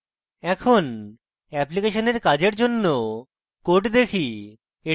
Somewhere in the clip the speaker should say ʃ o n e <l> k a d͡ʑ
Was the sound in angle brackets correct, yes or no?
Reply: no